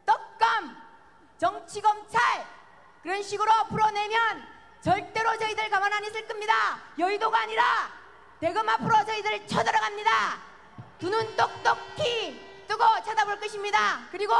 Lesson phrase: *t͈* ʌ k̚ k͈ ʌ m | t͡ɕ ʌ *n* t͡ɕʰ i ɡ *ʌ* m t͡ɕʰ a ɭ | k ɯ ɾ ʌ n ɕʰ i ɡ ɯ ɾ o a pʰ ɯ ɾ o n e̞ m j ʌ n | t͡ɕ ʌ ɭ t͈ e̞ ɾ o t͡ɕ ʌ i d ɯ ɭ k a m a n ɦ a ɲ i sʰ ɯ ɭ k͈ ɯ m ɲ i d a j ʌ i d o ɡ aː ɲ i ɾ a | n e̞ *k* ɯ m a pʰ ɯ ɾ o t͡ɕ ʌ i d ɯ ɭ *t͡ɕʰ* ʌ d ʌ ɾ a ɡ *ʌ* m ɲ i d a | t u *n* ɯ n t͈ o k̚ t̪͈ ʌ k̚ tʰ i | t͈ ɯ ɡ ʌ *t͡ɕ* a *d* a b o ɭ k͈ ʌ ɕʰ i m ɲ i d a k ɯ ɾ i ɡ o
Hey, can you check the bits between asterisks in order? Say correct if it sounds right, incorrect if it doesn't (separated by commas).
correct, incorrect, correct, incorrect, correct, incorrect, correct, incorrect, correct